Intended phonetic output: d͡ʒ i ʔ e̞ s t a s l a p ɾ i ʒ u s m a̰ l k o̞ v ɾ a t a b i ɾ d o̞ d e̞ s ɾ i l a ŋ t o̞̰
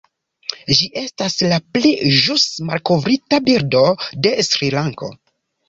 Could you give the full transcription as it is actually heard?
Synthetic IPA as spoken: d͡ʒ i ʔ e̞ s t a s l a p l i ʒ u s m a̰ l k o̞ v ɾ i t a b i ɾ d o̞ d e̞ s ɾ i l a ŋ k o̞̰

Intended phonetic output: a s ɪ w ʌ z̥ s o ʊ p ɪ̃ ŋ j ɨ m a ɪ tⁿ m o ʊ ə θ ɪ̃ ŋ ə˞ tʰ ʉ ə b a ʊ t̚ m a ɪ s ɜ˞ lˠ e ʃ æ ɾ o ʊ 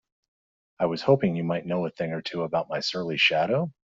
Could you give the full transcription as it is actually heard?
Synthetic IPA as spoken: a ɪ w ʌ z̥ h o ʊ p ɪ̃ ŋ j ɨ m a ɪ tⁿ n o ʊ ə θ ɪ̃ ŋ ə˞ tʰ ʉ ə b a ʊ t̚ m a ɪ s ɜ˞ lˠ i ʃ æ ɾ o ʊ

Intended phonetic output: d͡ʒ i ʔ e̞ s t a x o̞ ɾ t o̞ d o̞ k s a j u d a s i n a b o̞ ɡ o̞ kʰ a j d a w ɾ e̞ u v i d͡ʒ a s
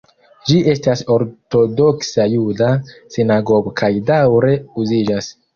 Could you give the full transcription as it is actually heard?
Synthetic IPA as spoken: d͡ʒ i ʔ e̞ s t a s o̞ ɾ t o̞ d o̞ k s a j u d a s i n a ɡ o̞ ɡ o̞ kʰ a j d a w ɾ e̞ u z i d͡ʒ a s

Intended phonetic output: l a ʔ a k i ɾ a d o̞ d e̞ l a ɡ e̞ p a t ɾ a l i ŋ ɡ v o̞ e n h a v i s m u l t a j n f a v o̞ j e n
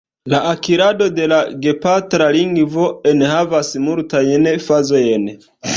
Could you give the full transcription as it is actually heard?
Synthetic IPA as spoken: l a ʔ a k i ɾ a d o̞ d e̞ l a ɡ e̞ p a t ɾ a l i ŋ ɡ v o̞ e n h a v a s m u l t a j n f a z o̞ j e n

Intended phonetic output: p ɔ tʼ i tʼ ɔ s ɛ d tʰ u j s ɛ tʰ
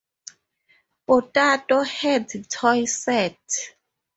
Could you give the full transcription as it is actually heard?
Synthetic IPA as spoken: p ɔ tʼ a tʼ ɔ h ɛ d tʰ ɔ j s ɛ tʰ

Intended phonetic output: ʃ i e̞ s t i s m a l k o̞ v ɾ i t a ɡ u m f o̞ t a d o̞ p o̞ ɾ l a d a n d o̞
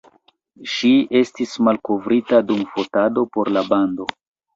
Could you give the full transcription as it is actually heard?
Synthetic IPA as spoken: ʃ i e̞ s t i s m a l k o̞ v ɾ i t a d u m f o̞ t a d o̞ p o̞ ɾ l a b a n d o̞

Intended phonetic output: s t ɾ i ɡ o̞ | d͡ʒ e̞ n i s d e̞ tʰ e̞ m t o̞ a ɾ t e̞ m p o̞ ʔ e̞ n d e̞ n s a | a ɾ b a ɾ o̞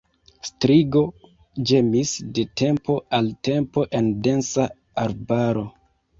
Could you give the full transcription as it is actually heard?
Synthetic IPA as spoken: s t ɾ i ɡ o̞ | d͡ʒ e̞ m i s d e̞ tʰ e̞ m p o̞ a l t e̞ m p o̞ ʔ e̞ n d e̞ n s a | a ɾ b a ɾ o̞

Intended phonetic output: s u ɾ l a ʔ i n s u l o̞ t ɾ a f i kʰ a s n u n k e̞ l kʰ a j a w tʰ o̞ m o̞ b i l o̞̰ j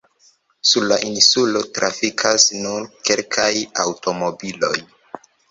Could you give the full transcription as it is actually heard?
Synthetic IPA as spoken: s u ɾ l a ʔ i n s u l o̞ t ɾ a f i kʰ a s n u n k e̞ l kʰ a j a w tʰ o̞ m o̞ b i l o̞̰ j

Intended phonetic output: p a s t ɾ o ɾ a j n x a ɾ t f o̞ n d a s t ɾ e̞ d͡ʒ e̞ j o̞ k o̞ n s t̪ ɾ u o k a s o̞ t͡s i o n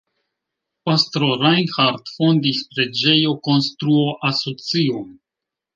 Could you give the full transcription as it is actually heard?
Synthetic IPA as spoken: p a s t ɾ o ɾ a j n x a ɾ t f o̞ n d i s p ɾ e̞ d͡ʒ e̞ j o̞ k o̞ n s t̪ ɾ u o ʔ a s o̞ t͡s i o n

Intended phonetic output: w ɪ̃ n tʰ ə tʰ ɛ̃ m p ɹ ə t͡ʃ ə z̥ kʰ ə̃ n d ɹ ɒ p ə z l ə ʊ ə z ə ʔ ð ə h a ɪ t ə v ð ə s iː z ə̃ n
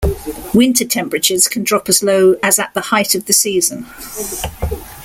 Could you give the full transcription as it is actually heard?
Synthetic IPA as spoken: w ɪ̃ n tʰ ə tʰ ɛ̃ m p ɹ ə t͡ʃ ə z̥ kʰ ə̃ n d ɹ ɒ p ə z l ə ʊ ə z ə ʔ ð ə h a ɪ t ə v ð ə s iː z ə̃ n

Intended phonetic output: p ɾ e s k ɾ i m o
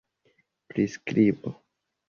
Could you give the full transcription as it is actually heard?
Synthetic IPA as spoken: p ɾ i s k ɾ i b o

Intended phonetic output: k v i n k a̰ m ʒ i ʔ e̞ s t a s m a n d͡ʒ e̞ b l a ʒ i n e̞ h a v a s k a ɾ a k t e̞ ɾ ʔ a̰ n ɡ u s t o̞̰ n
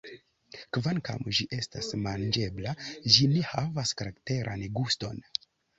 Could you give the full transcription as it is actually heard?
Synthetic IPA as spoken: k v a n k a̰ m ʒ i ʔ e̞ s t a s m a n d͡ʒ e̞ b l a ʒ i n e̞ h a v a s k a ɾ a k t e̞ ɾ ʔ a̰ n ɡ u s t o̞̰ n

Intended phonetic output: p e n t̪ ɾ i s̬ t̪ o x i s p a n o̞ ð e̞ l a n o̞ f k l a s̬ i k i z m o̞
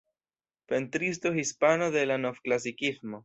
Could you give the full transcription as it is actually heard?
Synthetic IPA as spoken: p e n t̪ ɾ i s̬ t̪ o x i s p a n o̞ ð e̞ l a n o̞ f k l a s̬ i k i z m o̞

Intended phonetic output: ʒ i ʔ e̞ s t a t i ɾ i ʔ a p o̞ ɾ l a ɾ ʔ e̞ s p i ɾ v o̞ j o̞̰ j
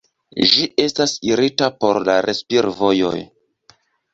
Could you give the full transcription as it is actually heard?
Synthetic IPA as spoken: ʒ i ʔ e̞ s t a s i ɾ i t a p o̞ ɾ l a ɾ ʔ e̞ s p i ɾ v o̞ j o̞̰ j

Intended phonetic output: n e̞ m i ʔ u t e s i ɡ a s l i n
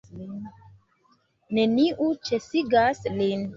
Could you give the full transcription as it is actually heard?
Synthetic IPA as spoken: n e̞ n i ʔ u t͡ʃ e s i ɡ a s l i n

